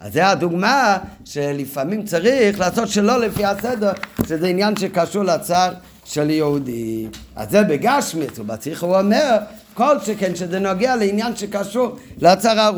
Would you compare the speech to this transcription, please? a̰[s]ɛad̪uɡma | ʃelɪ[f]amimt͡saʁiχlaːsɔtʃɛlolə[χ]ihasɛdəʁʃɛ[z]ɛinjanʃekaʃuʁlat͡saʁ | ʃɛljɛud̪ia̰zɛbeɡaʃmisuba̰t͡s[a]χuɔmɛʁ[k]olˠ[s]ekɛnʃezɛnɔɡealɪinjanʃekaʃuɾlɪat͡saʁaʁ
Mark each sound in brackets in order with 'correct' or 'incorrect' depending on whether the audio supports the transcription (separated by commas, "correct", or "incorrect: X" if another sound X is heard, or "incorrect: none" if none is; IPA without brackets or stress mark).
incorrect: z, correct, incorrect: f, correct, incorrect: i, correct, incorrect: ʃ